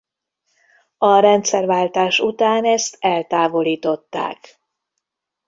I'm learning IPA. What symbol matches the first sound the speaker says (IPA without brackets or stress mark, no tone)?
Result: ɒ